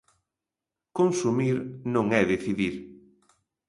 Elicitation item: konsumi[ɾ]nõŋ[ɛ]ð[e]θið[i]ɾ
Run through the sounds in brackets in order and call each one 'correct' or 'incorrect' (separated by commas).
correct, correct, correct, correct